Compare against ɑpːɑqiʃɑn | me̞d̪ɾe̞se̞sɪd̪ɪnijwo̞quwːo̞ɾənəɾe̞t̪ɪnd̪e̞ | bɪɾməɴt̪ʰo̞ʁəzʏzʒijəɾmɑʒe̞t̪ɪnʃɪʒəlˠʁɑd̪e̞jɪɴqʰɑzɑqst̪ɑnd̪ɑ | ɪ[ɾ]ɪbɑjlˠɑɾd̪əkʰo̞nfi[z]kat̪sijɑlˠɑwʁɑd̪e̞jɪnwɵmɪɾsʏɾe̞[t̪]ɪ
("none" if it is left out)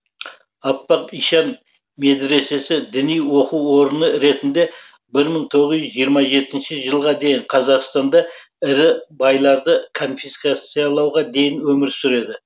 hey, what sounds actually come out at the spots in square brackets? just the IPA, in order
ɾ, s, d̪

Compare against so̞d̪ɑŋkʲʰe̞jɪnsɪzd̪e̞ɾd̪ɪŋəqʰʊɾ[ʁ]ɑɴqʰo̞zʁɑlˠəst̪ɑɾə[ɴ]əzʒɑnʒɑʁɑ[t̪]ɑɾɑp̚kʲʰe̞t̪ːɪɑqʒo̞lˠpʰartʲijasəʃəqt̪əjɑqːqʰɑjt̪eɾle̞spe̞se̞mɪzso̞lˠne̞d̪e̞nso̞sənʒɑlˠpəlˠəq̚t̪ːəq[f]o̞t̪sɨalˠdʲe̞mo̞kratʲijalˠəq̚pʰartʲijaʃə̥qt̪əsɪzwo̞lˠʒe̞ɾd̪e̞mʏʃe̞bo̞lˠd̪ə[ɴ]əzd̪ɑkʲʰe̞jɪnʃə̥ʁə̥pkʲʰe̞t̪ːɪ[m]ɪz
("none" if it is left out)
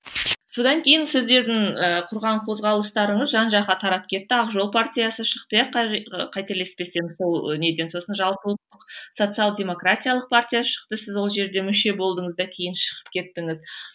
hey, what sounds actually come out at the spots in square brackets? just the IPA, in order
ʁ, ɴ, t̪ʰ, s, ɴ, ŋ

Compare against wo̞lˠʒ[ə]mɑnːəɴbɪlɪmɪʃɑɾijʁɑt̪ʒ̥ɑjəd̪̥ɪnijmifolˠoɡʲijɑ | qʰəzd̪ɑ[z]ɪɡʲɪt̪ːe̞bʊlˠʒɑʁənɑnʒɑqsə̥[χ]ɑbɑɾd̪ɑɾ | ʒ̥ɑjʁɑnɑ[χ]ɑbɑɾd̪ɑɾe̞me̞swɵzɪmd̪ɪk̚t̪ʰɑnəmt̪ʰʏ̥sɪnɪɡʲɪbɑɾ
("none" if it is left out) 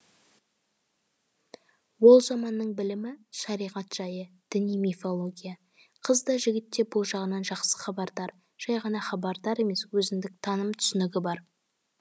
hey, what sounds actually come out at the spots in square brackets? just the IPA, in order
ɑ, ʒ, χ, χ

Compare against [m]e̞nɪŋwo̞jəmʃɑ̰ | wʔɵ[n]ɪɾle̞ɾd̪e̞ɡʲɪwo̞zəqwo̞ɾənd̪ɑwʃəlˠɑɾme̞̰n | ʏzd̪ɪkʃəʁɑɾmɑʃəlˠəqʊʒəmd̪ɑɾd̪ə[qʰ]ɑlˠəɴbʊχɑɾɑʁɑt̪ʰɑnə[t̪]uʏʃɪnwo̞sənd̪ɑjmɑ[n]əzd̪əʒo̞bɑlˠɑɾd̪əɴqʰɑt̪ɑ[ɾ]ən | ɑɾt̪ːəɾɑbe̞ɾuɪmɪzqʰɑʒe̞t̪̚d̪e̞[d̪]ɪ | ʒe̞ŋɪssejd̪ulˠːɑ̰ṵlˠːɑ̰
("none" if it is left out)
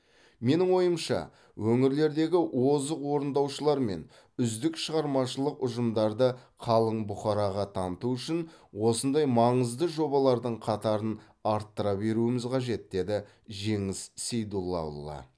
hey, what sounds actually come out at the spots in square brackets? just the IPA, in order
m, ŋ, qʰ, t̪, ɴ, ɾ, d̪

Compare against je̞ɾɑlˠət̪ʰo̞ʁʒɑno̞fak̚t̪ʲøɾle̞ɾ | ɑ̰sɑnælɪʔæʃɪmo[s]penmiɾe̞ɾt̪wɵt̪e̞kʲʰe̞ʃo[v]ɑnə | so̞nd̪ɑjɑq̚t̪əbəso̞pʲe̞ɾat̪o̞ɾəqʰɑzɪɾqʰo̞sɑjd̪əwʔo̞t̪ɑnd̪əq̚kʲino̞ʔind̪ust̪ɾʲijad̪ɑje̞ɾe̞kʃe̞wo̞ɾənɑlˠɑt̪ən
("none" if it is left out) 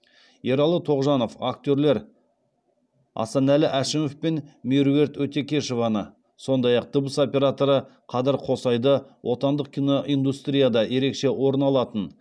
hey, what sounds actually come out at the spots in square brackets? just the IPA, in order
f, v

